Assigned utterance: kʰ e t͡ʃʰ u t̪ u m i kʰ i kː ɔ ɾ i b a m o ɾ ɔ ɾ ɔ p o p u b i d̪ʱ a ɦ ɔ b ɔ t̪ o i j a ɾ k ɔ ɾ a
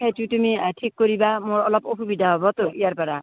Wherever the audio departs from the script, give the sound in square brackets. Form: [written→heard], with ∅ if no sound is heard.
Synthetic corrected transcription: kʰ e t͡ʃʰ u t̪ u m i [kʰ→ʈʰ] i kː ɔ ɾ i b a m o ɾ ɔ [ɾ→l] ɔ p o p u b i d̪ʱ a ɦ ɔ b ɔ t̪ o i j a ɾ [k→p] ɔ ɾ a